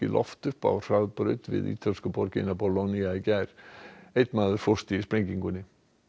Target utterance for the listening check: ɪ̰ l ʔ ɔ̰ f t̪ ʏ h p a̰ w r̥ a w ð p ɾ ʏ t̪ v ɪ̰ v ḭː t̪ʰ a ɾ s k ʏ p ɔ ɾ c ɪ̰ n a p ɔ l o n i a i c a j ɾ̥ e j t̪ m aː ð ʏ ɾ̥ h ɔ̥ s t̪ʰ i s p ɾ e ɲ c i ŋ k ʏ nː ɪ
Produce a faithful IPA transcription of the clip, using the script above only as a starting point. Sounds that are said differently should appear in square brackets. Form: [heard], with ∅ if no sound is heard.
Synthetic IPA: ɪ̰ l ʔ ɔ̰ f t̪ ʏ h p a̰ w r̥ a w ð p ɾ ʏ t̪ v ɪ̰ [ð] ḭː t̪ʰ a [l] s k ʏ p ɔ ɾ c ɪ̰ n a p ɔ l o n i a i c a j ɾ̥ e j t̪ m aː ð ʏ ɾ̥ [f] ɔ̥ s [t̪] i s p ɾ e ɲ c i ŋ k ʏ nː ɪ